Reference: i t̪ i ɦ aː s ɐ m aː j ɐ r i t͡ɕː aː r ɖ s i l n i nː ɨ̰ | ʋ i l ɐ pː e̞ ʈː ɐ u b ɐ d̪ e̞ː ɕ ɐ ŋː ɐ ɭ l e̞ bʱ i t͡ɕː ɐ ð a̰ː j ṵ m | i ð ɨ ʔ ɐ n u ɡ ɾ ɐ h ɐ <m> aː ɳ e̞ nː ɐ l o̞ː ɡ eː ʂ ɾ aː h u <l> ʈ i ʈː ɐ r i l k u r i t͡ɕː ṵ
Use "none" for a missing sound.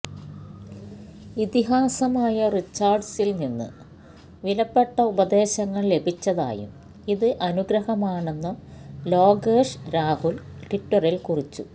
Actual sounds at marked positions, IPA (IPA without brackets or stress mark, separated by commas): m, l